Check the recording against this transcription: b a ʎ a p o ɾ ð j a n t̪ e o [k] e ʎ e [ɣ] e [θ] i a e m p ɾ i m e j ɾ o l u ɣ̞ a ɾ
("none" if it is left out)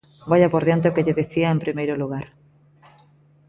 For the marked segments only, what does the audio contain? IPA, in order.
k, ð, θ

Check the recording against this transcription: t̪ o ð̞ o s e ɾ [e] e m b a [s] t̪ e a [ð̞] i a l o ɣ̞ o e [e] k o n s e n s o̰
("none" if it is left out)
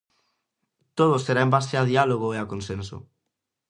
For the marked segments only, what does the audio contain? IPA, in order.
a, s, ð̞, a

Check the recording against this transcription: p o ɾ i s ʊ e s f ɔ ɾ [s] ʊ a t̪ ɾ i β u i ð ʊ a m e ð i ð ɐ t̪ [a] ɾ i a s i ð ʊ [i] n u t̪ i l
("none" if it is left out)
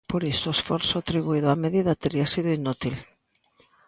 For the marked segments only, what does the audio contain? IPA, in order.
s, e, i

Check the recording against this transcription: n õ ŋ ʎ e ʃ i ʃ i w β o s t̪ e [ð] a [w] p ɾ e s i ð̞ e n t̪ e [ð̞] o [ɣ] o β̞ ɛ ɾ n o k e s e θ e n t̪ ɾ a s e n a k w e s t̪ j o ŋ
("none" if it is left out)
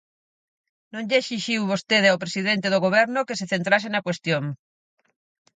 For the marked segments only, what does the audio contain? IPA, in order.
ð, w, ð̞, ɣ

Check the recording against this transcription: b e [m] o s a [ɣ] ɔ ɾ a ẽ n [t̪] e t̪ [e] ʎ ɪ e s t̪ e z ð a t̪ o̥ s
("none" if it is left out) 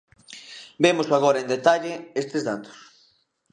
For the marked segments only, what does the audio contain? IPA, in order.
m, ɣ, d̪, a

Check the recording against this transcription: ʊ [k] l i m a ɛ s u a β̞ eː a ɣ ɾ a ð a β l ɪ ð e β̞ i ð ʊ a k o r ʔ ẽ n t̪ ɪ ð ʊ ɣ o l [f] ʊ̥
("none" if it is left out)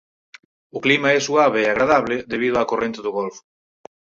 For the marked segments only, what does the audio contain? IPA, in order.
k, f

